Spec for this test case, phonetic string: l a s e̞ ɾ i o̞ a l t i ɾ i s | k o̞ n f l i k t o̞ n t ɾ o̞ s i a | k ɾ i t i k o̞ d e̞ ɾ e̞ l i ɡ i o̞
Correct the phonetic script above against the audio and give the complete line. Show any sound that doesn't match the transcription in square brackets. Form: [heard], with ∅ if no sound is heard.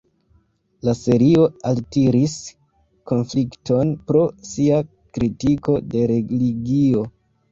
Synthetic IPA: l a s e̞ ɾ i o̞ a l t i ɾ i s | k o̞ n f l i k t o̞ n [p] ɾ o̞ s i a | k ɾ i t i k o̞ d e̞ ɾ e̞ l i ɡ i o̞

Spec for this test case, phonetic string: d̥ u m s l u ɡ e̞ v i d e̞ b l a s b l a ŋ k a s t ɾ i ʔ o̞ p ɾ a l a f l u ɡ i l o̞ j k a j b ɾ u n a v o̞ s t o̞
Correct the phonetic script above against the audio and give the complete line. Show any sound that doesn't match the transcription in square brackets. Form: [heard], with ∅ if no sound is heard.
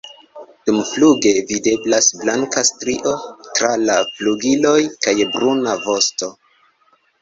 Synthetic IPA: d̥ u m [f] l u ɡ e̞ v i d e̞ b l a s b l a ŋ k a s t ɾ i ʔ o̞ [t] ɾ a l a f l u ɡ i l o̞ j k a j b ɾ u n a v o̞ s t o̞

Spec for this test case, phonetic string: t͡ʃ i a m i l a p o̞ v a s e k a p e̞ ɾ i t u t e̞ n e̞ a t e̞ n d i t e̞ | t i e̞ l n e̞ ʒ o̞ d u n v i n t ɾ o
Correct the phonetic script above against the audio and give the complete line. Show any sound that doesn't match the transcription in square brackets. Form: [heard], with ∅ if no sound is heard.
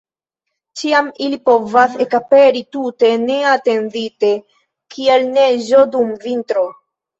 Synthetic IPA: t͡ʃ i a m i l [i] p o̞ v a s e k a p e̞ ɾ i t u t e̞ n e̞ a t e̞ n d i t e̞ | [k] i e̞ l n e̞ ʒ o̞ d u [m] v i n t ɾ o

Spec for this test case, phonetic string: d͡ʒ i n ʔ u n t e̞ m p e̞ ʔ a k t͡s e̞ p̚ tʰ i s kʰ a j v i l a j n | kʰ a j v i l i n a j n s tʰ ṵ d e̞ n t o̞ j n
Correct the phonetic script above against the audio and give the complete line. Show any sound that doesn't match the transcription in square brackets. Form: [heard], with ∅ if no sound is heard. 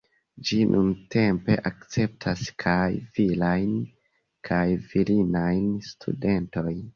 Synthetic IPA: d͡ʒ i n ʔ u n t e̞ m p e̞ ʔ a k t͡s e̞ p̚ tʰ [a] s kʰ a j v i l a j n | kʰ a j v i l i n a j n s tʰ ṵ d e̞ n t o̞ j n

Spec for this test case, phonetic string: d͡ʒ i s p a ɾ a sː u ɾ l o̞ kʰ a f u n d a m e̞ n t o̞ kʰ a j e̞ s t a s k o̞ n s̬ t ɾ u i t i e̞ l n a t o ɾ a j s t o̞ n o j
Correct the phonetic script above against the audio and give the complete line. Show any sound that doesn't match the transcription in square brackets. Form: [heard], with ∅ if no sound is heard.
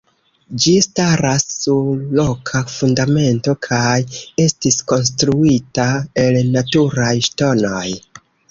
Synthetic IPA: d͡ʒ i s [t] a ɾ a sː u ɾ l o̞ kʰ a f u n d a m e̞ n t o̞ kʰ a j e̞ s t [i] s k o̞ n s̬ t ɾ u i t [a] e̞ l n a t [u] ɾ a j [ʃ] t o̞ n o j

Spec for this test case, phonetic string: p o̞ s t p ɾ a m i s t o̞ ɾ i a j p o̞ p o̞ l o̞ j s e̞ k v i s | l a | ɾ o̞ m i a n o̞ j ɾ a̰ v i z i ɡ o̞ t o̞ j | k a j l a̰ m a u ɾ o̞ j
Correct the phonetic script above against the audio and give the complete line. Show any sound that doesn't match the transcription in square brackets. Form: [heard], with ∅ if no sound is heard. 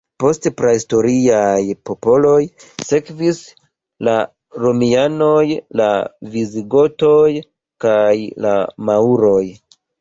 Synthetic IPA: p o̞ s t p ɾ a [∅] i s t o̞ ɾ i a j p o̞ p o̞ l o̞ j s e̞ k v i s | l a | ɾ o̞ m i a n o̞ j [l] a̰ v i z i ɡ o̞ t o̞ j | k a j l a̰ m a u ɾ o̞ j

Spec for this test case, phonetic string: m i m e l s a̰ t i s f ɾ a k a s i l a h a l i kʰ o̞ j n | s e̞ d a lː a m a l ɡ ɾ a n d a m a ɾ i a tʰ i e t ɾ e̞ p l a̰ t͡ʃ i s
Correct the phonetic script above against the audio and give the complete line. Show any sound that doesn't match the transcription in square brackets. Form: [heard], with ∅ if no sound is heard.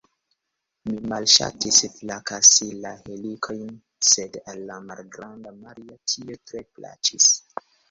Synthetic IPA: m i m [a] l [ʃ] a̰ t i s f [l] a k a s i l a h [e] l i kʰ o̞ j n | s e̞ d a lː a m a l ɡ ɾ a n d a m a ɾ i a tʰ i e t ɾ e̞ p l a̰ t͡ʃ i s

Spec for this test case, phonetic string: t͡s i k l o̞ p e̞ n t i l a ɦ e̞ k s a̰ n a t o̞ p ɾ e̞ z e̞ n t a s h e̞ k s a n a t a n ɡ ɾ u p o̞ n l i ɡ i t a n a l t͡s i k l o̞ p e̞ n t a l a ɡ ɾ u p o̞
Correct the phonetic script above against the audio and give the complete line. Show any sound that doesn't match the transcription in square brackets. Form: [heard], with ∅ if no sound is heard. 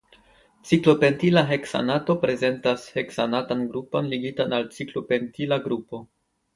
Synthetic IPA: t͡s i k l o̞ p e̞ n t i l a ɦ e̞ k s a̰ n a t o̞ p ɾ e̞ z e̞ n t a s h e̞ k s a n a t a n ɡ ɾ u p o̞ n l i ɡ i t a n a l t͡s i k l o̞ p e̞ n t [i] l a ɡ ɾ u p o̞

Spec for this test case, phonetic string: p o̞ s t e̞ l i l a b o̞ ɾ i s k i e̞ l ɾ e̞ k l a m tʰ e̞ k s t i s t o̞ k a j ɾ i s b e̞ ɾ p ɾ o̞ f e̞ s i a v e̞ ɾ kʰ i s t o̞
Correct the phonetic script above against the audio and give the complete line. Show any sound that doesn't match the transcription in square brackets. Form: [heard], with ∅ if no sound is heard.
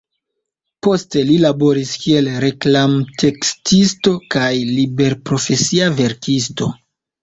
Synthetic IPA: p o̞ s t e̞ l i l a b o̞ ɾ i s k i e̞ l ɾ e̞ k l a m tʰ e̞ k s t i s t o̞ k a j [l] i [∅] b e̞ ɾ p ɾ o̞ f e̞ s i a v e̞ ɾ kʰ i s t o̞

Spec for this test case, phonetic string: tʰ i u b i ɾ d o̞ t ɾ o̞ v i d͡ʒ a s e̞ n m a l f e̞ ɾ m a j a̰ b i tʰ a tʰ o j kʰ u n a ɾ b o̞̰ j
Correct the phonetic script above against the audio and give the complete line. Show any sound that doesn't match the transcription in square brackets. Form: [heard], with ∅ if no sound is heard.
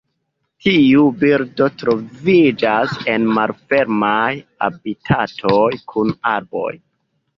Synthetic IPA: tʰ i u b i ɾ d o̞ t ɾ o̞ v i d͡ʒ a s e̞ n m a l f e̞ ɾ m a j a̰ b i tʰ a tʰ o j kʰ u n a ɾ b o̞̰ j

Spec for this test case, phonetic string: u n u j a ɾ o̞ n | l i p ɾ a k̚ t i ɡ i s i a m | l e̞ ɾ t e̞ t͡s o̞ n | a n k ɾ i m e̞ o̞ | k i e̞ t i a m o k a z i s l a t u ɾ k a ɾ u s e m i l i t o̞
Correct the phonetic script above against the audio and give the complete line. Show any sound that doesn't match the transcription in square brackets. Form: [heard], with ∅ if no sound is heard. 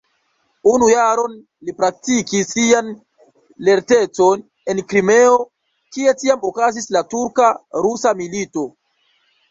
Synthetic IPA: u n u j a ɾ o̞ n | l i p ɾ a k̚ t i [k] i s i a [n] | l e̞ ɾ t e̞ t͡s o̞ n | [e] n k ɾ i m e̞ o̞ | k i e̞ t i a m o k a z i s l a t u ɾ k a ɾ u s [a] m i l i t o̞

